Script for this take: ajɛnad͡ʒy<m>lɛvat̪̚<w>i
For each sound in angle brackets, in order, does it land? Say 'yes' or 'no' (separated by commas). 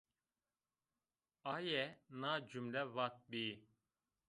yes, no